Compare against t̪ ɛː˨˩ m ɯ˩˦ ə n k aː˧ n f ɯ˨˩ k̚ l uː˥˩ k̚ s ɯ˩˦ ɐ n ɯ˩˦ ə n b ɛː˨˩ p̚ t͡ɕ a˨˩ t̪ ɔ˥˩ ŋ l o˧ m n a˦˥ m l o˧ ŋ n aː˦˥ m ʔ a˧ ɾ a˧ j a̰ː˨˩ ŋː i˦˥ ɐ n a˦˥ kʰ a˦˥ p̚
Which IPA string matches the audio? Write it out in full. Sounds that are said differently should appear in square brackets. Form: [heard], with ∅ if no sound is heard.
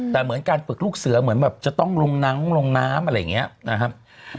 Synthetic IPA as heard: t̪ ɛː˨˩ m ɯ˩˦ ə n k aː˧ n f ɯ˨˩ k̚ l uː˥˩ k̚ s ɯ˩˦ ɐ [m] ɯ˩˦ ə n b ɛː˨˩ p̚ t͡ɕ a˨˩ t̪ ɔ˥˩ ŋ l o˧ [ŋ] n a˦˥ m l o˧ ŋ n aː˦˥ m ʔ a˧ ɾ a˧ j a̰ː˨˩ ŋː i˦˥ ɐ n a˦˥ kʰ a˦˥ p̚